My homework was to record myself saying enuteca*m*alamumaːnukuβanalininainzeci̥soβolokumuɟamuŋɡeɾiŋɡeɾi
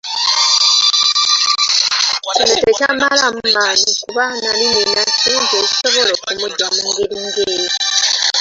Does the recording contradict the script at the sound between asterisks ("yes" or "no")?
no